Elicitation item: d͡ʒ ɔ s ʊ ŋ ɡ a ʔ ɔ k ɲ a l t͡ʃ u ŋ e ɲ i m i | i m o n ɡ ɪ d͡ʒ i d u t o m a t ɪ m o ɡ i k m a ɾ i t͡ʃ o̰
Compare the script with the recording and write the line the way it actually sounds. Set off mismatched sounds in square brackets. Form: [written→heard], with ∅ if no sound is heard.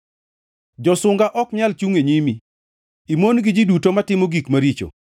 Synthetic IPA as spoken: d͡ʒ ɔ s ʊ ŋ ɡ a ʔ ɔ k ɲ a l t͡ʃ u ŋ e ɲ i m i | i m o n ɡ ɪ d͡ʒ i d u t o m a t ɪ m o ɡ i k m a ɾ i t͡ʃ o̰